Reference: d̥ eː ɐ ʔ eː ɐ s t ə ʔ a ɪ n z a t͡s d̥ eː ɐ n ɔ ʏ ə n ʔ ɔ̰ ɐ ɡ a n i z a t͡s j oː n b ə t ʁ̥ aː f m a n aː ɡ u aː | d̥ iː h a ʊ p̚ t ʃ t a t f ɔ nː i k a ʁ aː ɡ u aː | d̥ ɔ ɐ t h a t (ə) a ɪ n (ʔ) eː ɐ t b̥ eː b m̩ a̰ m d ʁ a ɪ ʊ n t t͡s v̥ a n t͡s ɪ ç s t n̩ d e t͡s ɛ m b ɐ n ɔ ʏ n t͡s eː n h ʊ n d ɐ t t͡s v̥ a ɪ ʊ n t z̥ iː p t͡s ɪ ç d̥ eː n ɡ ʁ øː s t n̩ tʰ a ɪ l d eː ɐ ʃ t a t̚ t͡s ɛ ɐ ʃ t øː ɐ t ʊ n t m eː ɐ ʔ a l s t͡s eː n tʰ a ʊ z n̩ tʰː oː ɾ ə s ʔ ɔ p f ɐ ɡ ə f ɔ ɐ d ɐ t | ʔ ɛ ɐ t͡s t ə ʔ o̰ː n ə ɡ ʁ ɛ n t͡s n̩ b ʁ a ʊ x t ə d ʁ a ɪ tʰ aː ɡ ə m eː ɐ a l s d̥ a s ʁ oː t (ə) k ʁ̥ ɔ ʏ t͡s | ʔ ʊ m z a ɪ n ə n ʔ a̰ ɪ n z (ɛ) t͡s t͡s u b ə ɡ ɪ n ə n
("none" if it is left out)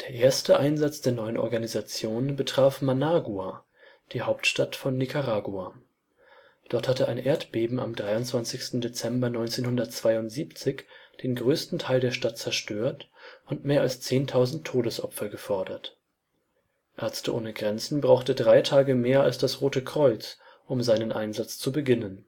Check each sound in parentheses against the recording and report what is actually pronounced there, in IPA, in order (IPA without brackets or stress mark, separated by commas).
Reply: ə, ʔ, ə, a